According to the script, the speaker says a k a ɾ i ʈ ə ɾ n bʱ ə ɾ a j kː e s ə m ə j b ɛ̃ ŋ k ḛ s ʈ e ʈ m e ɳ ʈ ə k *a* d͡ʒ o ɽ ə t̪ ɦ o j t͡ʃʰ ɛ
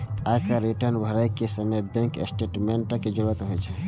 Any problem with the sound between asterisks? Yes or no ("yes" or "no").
yes